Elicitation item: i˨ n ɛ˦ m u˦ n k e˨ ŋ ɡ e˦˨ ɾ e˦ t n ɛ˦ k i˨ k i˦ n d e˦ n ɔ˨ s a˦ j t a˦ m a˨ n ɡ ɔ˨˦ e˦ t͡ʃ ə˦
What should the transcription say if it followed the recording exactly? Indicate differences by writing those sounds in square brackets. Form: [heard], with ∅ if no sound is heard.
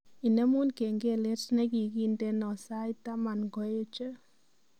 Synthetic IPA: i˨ n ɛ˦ m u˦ n k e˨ ŋ ɡ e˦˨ [l] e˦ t n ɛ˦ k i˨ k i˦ n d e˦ n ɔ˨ s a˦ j t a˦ m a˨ n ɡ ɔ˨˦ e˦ t͡ʃ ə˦